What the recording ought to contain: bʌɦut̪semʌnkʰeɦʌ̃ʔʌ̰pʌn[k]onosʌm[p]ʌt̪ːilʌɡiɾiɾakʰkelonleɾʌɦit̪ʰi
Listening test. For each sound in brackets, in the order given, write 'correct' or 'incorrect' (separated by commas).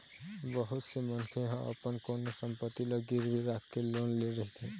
correct, correct